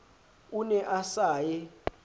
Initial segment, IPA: u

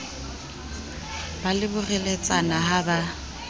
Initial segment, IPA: b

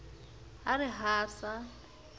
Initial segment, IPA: a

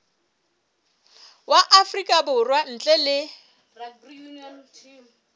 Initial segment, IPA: w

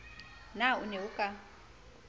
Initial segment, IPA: n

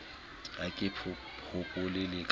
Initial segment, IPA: a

